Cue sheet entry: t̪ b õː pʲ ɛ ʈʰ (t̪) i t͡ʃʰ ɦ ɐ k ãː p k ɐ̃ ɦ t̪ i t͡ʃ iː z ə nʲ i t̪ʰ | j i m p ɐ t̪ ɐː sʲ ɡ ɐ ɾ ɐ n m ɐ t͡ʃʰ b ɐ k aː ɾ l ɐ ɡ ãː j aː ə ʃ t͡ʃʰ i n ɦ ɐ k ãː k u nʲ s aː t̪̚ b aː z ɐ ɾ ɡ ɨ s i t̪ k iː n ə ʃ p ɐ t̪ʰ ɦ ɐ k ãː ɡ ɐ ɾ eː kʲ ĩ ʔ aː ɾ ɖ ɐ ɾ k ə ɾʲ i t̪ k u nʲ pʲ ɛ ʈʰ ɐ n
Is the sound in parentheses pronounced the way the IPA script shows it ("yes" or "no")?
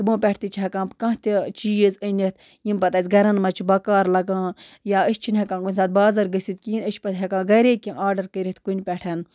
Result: yes